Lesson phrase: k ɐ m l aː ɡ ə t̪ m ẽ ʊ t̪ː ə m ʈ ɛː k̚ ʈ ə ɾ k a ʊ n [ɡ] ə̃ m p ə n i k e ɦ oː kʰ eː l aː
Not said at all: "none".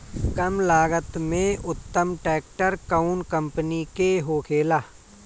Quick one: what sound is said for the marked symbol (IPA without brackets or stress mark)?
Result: k